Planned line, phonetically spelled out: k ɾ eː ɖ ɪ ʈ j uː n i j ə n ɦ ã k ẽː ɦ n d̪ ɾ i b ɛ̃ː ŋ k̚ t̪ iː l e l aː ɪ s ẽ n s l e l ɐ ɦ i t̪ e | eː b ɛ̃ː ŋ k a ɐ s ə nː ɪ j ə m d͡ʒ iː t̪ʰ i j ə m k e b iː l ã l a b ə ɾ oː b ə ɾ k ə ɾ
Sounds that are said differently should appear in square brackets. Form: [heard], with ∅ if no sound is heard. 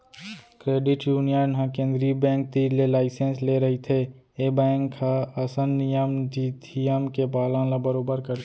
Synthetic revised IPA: k ɾ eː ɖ ɪ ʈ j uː n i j ə n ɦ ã k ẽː [∅] n d̪ ɾ i b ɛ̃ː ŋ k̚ t̪ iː l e l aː ɪ s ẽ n s l e [ɾ] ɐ ɦ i [t̪ʰ] e | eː b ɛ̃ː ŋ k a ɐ s ə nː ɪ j ə m d͡ʒ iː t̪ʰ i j ə m k e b [aː] l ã l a b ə ɾ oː b ə ɾ k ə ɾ